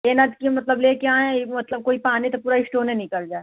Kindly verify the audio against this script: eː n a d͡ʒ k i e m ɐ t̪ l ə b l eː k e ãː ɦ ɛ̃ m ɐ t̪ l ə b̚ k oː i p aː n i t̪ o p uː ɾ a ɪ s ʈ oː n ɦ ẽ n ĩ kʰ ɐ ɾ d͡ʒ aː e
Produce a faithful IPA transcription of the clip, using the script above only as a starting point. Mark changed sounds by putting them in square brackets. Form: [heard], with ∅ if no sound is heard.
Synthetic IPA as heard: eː n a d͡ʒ k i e m ɐ t̪ l ə b l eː k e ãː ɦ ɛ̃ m ɐ t̪ l ə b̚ k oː i p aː n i t̪ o p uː ɾ a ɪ s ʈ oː n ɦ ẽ n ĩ [k] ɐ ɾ d͡ʒ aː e